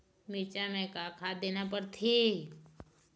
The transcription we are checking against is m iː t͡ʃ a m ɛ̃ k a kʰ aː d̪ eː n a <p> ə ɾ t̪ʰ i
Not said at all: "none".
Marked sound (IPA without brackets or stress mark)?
p